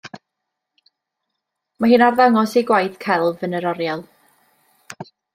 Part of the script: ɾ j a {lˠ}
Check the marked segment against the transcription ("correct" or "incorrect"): correct